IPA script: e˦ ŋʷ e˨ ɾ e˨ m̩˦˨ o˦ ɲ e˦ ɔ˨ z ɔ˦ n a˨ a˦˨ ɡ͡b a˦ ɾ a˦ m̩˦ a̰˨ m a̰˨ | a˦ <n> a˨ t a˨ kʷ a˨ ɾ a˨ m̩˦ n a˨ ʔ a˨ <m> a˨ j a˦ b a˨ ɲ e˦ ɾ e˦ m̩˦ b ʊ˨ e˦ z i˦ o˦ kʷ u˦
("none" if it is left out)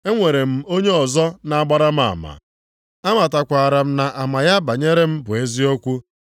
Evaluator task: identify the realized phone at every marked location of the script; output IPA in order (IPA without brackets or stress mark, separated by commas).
m, m